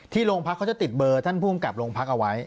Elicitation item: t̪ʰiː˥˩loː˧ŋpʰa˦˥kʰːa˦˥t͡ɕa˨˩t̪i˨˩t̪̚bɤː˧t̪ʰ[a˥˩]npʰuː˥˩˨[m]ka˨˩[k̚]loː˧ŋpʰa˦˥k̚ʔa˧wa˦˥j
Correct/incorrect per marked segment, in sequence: correct, correct, incorrect

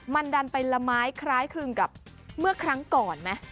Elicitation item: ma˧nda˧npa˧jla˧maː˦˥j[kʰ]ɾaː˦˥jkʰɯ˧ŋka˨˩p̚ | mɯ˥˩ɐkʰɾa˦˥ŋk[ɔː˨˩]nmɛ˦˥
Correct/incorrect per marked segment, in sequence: correct, correct

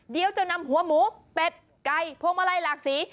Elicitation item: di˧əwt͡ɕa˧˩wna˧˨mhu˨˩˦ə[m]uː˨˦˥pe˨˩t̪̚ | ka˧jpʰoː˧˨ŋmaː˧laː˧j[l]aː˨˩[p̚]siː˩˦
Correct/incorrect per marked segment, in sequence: correct, correct, incorrect

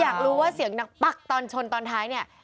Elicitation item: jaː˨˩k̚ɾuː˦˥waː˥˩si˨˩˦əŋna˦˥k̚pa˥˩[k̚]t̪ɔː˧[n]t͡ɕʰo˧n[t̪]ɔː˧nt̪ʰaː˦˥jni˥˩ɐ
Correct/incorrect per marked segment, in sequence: correct, correct, correct

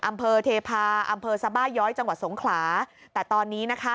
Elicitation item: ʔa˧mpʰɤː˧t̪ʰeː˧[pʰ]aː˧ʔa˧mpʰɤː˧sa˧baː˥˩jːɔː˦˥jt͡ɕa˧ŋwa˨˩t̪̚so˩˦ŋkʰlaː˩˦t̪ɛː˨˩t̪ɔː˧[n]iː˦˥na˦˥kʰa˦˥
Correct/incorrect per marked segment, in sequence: correct, incorrect

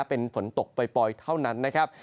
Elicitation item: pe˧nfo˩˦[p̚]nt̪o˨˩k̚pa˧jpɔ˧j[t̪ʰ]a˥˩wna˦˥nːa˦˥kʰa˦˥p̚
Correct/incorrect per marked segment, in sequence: incorrect, correct

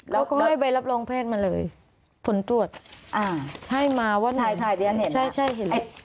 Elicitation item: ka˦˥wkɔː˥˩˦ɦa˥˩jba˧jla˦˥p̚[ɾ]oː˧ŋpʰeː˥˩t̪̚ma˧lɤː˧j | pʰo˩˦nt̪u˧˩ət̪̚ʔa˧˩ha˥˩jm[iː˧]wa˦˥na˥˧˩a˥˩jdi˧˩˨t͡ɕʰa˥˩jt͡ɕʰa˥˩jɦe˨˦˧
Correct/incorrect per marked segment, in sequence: incorrect, incorrect

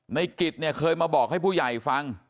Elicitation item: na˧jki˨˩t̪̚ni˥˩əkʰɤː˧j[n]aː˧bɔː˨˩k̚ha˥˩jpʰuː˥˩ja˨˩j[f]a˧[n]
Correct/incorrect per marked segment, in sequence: incorrect, correct, incorrect

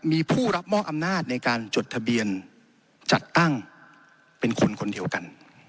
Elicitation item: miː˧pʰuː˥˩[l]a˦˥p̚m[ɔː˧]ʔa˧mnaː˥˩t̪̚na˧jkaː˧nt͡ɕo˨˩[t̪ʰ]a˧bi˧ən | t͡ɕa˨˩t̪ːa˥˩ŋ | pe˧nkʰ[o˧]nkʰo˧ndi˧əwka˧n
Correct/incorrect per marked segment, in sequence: incorrect, incorrect, correct, correct

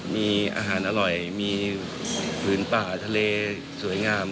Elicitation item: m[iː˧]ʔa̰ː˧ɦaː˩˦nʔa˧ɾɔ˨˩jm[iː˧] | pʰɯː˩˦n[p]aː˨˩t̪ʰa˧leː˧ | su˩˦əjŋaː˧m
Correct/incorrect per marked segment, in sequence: correct, correct, correct

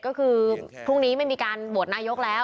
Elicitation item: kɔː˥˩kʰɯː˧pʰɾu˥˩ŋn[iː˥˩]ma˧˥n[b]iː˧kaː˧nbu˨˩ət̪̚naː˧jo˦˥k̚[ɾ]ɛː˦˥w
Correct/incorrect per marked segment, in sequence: incorrect, incorrect, incorrect

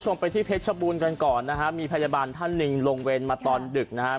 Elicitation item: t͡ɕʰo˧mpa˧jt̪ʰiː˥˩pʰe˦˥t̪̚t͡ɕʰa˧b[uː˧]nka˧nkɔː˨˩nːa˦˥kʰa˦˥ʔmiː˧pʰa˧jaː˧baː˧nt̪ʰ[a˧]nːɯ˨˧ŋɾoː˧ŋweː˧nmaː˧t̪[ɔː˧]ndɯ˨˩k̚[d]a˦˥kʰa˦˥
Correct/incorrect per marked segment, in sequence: correct, incorrect, correct, incorrect

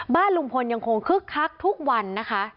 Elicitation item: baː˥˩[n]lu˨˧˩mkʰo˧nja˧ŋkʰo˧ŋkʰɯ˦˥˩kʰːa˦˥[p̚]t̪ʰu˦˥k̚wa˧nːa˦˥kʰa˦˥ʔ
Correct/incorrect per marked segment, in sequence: correct, incorrect

